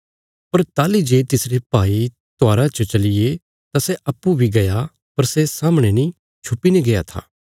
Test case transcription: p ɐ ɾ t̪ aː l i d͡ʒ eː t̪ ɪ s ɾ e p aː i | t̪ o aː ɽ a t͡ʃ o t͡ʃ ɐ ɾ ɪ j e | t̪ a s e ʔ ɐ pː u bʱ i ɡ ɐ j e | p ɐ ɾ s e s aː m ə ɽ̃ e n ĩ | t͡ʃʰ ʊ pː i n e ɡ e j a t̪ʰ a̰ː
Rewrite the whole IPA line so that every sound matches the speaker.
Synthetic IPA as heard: p ɐ ɾ t̪ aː l i d͡ʒ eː t̪ ɪ s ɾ e p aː i | t̪ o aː ɾ a t͡ʃ o t͡ʃ ɐ l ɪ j e | t̪ a s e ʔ ɐ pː u bʱ i ɡ ɐ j a | p ɐ ɾ s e s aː m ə ɽ̃ e n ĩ | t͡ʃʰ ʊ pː i n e ɡ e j a t̪ʰ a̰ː